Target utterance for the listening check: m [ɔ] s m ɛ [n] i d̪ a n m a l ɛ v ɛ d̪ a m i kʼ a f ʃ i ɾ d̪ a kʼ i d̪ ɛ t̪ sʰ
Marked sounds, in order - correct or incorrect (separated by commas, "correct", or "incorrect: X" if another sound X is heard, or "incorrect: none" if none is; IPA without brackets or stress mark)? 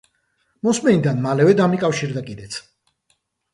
correct, correct